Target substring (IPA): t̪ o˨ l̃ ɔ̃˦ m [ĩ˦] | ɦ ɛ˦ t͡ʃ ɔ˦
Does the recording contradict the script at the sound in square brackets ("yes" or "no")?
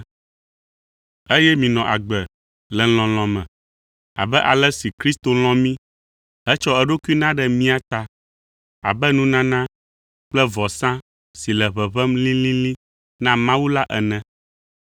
no